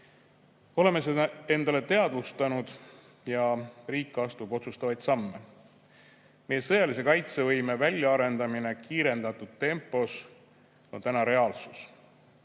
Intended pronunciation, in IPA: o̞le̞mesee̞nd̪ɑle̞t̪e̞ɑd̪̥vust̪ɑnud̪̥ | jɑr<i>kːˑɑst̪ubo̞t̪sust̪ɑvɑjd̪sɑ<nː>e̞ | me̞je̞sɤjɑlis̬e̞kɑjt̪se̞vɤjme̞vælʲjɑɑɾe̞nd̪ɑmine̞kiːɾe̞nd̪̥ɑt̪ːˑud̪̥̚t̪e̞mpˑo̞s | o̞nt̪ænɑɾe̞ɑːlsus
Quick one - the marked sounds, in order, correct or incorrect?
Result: incorrect, incorrect

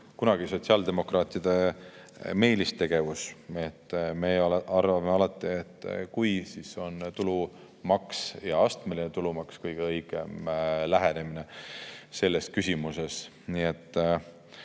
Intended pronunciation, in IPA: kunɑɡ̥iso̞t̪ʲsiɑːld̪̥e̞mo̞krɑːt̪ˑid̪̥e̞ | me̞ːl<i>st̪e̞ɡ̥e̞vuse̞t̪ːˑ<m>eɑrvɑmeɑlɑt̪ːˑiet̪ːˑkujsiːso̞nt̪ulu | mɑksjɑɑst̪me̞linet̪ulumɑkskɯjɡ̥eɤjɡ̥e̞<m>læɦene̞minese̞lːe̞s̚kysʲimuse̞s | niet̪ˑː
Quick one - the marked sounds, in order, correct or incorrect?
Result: correct, correct, correct

